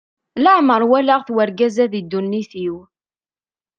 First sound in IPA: l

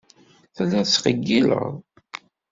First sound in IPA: θ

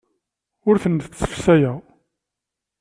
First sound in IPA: ʊ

